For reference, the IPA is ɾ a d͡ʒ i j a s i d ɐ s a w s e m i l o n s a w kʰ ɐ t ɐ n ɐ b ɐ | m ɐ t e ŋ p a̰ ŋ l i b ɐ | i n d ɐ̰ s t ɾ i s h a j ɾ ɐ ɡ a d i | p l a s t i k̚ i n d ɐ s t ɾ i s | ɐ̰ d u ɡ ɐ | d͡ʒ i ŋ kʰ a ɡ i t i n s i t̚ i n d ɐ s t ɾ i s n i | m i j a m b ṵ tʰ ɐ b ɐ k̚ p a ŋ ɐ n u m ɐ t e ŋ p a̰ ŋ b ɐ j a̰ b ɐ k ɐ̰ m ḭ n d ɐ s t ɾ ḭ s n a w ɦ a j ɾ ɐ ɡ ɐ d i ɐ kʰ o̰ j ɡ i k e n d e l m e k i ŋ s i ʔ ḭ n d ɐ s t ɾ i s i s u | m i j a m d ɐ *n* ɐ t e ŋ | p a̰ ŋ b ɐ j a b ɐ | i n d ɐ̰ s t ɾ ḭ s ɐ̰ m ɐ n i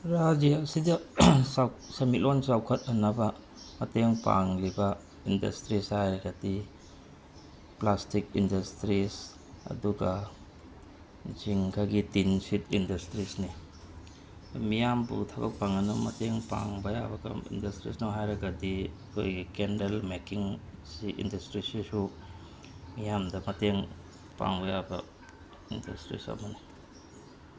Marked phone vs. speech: incorrect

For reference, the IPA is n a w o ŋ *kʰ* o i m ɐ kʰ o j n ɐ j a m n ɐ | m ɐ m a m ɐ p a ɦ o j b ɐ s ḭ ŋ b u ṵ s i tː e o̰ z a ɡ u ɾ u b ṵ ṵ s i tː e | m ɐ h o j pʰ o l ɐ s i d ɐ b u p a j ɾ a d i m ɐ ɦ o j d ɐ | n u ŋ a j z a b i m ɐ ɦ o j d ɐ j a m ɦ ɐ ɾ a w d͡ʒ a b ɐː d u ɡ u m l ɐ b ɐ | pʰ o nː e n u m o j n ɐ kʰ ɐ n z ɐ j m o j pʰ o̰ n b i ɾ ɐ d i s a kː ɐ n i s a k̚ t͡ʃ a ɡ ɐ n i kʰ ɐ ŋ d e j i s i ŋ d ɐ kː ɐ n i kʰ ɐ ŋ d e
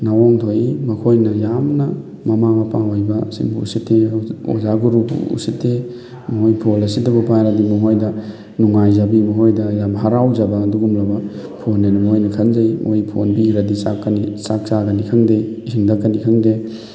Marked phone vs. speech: incorrect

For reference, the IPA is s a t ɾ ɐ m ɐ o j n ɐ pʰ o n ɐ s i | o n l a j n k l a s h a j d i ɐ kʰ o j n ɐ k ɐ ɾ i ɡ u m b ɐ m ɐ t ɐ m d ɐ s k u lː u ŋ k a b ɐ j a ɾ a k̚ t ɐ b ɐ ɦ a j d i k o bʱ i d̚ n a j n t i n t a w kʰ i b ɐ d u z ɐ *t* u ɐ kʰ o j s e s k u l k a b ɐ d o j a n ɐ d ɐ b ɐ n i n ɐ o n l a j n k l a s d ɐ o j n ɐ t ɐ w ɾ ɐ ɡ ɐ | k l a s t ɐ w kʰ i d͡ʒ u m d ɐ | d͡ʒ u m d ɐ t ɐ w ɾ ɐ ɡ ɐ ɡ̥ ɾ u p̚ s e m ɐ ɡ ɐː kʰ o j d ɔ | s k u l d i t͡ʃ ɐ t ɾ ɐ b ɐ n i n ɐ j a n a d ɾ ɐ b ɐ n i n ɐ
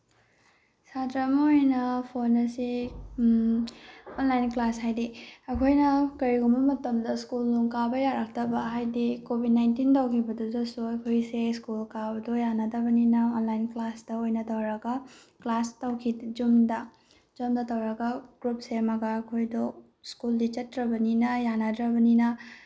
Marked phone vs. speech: incorrect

